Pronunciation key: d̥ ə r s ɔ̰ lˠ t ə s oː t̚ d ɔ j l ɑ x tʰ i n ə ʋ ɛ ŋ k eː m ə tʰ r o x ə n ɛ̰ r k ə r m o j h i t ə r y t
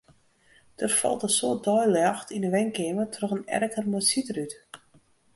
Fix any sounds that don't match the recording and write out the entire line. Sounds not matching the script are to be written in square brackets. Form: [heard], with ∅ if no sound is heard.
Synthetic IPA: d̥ ə r [f] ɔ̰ lˠ t ə s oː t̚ d ɔ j l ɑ x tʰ i n ə ʋ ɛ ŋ k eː m ə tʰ r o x ə n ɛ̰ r k ə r m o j [s] i t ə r y t

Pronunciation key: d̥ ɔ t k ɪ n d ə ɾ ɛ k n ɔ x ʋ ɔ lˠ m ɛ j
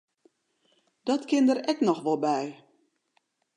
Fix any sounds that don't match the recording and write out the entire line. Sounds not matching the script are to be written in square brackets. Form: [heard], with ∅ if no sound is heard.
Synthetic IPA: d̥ ɔ t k ɪ n d ə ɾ ɛ k n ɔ x ʋ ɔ lˠ [b] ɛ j

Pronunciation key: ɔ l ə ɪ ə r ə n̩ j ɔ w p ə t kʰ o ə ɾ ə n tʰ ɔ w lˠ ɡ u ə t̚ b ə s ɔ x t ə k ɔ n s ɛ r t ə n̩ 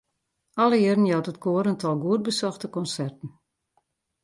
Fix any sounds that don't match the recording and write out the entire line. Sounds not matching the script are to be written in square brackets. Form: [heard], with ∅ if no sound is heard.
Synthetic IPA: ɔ l ə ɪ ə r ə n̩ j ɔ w [t] ə t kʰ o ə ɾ ə n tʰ ɔ [∅] lˠ ɡ u ə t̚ b ə s ɔ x t ə k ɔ n s ɛ r t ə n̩

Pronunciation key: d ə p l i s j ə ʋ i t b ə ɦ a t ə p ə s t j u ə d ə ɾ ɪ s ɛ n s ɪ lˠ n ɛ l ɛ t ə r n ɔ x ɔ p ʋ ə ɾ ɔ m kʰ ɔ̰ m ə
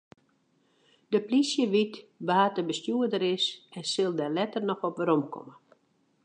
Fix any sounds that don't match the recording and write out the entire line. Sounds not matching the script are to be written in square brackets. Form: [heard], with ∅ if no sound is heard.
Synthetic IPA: d ə p l i s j ə ʋ i t b ə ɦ a t ə [b] ə s t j u ə d ə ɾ ɪ s ɛ n s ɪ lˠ [d] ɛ l ɛ t ə r n ɔ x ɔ p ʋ ə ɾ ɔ m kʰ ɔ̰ m ə

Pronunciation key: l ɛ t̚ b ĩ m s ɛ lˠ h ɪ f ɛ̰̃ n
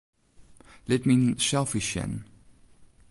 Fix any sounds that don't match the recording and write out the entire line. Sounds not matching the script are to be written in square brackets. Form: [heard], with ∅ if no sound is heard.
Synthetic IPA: l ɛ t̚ [m] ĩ [n] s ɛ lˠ [f] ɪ [ʃ] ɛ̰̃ n

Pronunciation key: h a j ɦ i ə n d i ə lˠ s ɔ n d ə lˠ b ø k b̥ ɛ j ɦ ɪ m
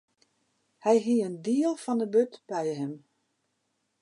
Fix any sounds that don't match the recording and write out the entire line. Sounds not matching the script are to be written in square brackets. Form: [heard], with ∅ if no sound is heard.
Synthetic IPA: h [ɛ] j ɦ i ə n d i ə lˠ [f] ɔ n d ə [∅] b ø [t] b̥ ɛ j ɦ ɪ m

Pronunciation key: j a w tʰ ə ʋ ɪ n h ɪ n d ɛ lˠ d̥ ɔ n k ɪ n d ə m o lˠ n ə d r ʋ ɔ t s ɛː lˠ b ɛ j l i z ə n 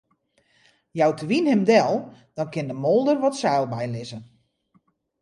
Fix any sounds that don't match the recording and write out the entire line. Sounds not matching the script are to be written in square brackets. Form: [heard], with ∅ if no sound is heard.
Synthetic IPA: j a w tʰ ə ʋ [i] n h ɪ [m] d ɛ lˠ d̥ ɔ n k ɪ n d ə m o lˠ [d] ə [∅] r ʋ ɔ t s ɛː lˠ b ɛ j l [ɪ] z ə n

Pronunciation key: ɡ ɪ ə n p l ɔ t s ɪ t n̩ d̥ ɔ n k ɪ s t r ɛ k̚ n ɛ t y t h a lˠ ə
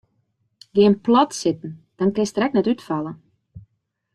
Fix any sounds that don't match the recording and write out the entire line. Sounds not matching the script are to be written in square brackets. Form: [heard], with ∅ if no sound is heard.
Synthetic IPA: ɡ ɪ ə n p l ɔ t s ɪ t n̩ d̥ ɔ n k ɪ s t r ɛ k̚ n ɛ t y t [f] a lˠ ə

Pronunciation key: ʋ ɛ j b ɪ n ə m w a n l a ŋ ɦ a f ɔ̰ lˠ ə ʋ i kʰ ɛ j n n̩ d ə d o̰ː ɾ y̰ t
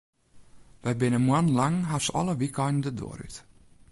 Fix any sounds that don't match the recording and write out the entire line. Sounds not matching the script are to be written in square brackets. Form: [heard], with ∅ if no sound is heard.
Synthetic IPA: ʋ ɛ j b ɪ n ə m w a n l a ŋ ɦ a [s] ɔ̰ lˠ ə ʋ i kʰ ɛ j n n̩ d ə d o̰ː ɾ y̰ t

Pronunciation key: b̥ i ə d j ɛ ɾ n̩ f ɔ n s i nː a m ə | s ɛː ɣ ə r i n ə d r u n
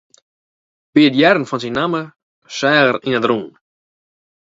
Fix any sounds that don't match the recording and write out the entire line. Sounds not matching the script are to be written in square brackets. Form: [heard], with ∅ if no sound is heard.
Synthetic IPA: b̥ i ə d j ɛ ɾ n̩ f ɔ n s i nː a m ə | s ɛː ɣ ə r i n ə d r u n

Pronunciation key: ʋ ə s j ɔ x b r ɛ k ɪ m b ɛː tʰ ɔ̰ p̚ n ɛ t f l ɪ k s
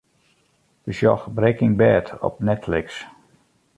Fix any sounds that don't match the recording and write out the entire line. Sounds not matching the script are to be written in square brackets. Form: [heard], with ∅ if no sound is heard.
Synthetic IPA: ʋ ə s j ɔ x b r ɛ k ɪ [ŋ] b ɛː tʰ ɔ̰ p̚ n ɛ t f l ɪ k s

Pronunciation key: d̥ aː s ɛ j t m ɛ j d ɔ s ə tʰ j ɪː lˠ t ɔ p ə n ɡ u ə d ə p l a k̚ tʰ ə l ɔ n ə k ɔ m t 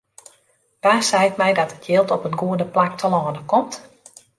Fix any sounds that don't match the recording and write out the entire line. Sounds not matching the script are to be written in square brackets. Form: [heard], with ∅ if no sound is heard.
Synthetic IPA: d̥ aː s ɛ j t m ɛ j d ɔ [t] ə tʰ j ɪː lˠ t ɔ p ə n ɡ u ə d ə p l a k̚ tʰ ə l [ɔː] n ə k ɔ m t

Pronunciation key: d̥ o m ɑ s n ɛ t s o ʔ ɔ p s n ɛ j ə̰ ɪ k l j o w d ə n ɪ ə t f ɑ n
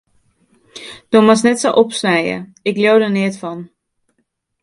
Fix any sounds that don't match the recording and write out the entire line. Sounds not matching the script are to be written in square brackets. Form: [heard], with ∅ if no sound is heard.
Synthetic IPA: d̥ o m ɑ s n ɛ t s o ʔ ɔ p s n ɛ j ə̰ ɪ k l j o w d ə n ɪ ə t f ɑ n

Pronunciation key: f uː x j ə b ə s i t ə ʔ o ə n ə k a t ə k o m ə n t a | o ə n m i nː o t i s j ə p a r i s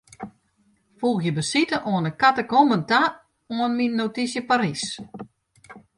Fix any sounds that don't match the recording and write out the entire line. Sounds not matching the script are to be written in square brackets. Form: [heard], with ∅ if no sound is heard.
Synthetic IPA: f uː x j ə b ə s i t ə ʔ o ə n ə k a t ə k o m ə n t a | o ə n m i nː o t i s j ə p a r i s

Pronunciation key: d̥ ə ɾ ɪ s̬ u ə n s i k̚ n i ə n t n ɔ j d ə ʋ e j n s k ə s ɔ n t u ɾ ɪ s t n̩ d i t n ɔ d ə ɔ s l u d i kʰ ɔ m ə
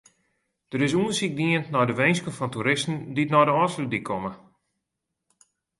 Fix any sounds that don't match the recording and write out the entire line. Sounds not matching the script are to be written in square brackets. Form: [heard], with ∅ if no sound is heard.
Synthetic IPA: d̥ ə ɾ ɪ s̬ u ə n s i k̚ [d] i ə n t n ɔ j d ə ʋ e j n s k ə [f] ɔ n t u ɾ ɪ s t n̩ d i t n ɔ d ə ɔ s l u d i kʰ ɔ m ə

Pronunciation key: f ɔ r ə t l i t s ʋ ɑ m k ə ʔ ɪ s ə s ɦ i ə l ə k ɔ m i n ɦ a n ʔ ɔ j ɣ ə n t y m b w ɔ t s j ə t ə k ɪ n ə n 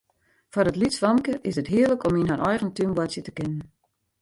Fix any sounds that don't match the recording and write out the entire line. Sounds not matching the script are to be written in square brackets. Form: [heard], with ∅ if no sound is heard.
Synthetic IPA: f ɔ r ə t l i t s ʋ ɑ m k ə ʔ ɪ s ə [t] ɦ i ə l ə k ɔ m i n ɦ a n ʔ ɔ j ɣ ə n t y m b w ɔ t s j ə t ə k ɪ n ə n

